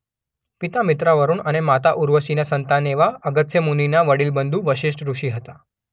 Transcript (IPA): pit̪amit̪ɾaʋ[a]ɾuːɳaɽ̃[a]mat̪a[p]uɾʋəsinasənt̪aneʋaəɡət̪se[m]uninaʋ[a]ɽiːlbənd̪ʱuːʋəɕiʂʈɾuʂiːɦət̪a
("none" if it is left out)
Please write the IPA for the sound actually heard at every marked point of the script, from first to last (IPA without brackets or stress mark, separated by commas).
ə, e, ʔ, m, ə